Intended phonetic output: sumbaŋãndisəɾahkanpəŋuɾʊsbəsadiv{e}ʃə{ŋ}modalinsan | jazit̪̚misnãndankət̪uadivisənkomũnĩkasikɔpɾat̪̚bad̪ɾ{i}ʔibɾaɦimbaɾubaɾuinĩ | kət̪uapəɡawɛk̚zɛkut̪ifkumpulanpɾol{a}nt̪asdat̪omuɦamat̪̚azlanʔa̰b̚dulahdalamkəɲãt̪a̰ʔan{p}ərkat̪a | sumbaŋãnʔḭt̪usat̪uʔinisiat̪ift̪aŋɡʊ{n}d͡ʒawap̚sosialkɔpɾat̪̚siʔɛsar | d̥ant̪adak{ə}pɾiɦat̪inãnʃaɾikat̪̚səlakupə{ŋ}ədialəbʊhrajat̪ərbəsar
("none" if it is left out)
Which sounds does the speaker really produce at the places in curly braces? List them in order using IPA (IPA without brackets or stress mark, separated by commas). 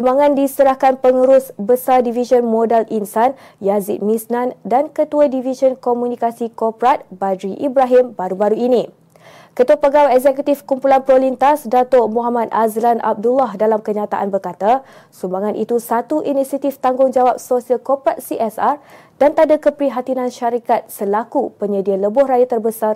i, n, i, i, b, ŋ, ə, ɲ